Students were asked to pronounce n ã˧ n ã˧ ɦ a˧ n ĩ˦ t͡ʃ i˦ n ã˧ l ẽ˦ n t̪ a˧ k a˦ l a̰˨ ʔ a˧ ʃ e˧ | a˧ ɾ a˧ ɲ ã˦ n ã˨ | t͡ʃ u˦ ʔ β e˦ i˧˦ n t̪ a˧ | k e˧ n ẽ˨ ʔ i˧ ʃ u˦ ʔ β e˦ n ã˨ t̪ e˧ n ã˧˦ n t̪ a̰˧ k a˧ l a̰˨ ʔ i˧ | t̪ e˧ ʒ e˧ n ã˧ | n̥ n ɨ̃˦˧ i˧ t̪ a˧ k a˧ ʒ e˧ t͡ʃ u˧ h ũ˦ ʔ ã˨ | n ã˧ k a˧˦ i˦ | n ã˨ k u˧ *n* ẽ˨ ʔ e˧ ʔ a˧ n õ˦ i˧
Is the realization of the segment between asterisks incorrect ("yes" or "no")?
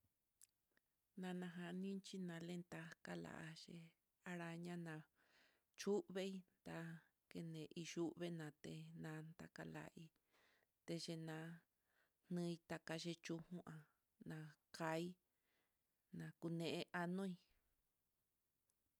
no